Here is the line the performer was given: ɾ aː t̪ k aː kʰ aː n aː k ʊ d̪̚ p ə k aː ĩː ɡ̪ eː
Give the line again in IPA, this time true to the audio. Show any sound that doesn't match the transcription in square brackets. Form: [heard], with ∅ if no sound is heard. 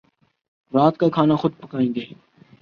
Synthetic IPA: ɾ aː t̪ k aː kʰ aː n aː [x] ʊ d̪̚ p ə k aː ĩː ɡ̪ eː

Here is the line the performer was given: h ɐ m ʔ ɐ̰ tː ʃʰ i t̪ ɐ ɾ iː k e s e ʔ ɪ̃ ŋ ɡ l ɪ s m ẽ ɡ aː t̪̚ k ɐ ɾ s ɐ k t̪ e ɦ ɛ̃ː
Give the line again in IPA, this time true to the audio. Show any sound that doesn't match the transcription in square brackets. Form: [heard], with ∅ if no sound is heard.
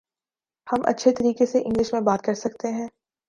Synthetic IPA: h ɐ m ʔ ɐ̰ tː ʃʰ [e] t̪ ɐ ɾ iː k e s e ʔ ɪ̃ ŋ ɡ l ɪ [ʃ] m ẽ [b] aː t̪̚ k ɐ ɾ s ɐ k t̪ e ɦ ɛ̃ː

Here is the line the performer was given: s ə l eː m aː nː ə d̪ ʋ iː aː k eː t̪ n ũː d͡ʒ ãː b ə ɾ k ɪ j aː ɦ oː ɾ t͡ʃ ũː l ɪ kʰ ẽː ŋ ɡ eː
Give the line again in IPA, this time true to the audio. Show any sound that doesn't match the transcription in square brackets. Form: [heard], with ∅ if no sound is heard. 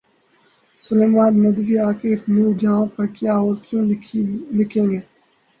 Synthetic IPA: s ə l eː m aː nː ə d̪ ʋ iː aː k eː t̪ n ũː d͡ʒ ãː [p] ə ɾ k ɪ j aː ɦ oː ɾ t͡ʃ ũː l ɪ kʰ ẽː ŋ ɡ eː

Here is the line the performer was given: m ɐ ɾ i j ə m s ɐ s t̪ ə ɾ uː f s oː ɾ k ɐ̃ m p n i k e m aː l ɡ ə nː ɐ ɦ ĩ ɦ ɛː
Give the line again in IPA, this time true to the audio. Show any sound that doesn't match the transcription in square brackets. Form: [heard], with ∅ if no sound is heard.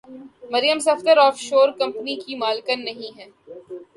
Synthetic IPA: m ɐ ɾ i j ə m s ɐ [f] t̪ ə ɾ [ɔː] f [ʃ] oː ɾ k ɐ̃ m p n i k [i] m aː l [k] ə nː ɐ ɦ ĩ ɦ ɛː

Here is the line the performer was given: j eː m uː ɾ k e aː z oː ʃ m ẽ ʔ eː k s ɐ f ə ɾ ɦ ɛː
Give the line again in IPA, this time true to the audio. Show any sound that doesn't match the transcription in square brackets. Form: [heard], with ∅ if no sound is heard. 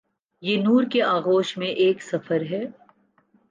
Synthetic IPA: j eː [n] uː ɾ k e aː [ɣ] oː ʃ m ẽ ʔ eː k s ɐ f ə ɾ ɦ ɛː

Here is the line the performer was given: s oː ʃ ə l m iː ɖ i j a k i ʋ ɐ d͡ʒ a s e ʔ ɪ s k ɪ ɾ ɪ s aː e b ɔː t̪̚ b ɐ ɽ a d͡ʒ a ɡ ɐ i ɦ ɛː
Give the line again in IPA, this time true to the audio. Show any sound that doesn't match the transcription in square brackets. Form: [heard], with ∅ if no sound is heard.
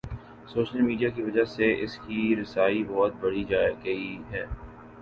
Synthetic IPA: s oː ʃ ə l m iː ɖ i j a k i ʋ ɐ d͡ʒ a s e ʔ ɪ s k [i] ɾ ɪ s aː [i] b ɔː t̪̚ b ɐ ɽ [i] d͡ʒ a ɡ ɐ i ɦ ɛː

